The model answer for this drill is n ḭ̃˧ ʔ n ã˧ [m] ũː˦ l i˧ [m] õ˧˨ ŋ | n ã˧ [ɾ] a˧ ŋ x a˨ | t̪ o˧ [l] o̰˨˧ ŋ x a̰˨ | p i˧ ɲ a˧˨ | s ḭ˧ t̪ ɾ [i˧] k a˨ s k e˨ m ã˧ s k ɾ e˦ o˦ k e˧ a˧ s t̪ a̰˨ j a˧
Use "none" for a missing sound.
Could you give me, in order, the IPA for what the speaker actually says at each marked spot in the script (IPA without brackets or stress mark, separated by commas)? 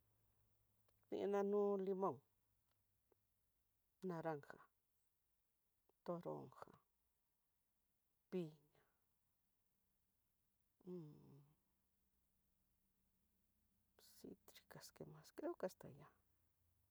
n, m, ɾ, ɾ, i˧